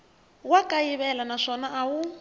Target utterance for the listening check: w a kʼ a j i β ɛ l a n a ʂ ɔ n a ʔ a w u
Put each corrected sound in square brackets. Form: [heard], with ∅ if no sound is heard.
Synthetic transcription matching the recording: w a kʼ a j i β ɛ l a n a ʂ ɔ n a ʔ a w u